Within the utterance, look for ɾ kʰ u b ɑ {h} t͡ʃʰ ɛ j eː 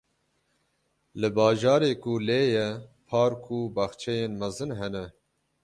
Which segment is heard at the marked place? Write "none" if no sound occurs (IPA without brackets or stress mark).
x